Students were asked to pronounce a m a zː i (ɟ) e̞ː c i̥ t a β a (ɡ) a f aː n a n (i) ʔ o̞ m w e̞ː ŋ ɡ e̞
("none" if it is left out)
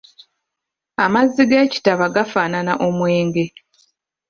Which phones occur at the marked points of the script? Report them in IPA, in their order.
ɡ, ɡ, a

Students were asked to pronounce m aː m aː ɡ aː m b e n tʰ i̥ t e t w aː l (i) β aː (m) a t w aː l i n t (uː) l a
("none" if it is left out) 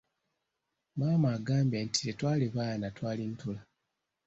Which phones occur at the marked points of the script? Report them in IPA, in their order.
i, n, u

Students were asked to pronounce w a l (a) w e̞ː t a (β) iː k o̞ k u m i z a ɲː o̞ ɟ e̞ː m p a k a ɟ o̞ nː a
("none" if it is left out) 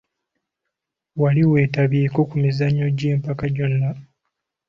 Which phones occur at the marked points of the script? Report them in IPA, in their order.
i, β

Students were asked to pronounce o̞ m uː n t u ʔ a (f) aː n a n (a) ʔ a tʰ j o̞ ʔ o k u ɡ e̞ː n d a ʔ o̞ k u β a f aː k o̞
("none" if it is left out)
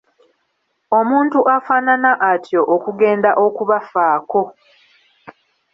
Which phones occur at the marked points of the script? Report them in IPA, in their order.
f, a

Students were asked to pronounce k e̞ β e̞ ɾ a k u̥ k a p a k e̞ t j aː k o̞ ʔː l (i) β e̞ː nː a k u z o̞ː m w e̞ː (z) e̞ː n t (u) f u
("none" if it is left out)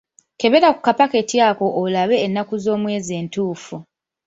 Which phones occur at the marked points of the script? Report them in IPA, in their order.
a, z, uː

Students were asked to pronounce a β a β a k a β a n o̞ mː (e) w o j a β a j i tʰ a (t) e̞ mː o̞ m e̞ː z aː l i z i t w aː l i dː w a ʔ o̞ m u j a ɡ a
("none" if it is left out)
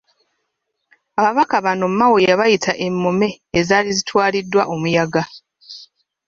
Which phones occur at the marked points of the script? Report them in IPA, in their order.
a, ʔ

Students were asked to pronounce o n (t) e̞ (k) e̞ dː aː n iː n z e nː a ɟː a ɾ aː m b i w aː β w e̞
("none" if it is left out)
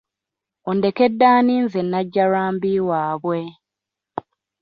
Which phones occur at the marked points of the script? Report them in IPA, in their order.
d, k

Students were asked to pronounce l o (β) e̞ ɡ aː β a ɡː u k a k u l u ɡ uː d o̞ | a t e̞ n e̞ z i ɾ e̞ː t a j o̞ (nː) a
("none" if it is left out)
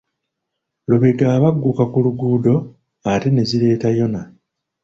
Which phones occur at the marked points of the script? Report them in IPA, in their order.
β, n

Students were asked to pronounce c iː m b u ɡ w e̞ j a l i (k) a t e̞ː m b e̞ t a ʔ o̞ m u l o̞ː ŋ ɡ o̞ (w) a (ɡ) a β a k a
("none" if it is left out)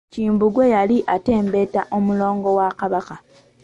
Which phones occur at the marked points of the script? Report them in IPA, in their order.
ʔ, w, k

